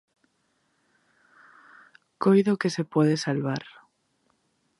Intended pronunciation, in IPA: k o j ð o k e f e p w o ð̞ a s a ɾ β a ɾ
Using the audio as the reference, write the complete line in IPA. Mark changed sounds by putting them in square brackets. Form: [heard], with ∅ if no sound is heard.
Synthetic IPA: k o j ð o k e [s] e p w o ð̞ [e] s a [l] β a ɾ